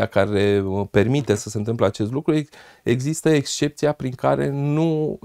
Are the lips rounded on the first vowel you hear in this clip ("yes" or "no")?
no